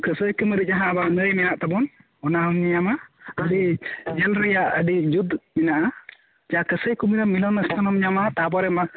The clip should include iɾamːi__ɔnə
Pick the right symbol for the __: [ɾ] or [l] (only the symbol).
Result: l